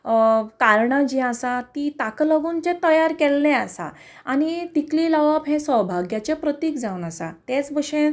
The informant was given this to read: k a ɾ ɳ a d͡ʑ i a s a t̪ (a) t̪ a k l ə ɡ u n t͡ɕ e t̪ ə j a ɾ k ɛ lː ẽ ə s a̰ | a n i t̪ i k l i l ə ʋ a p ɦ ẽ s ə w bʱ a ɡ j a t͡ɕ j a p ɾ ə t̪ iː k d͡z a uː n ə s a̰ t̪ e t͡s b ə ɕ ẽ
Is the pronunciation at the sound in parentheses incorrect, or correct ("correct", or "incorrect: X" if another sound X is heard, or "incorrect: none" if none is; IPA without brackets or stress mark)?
incorrect: i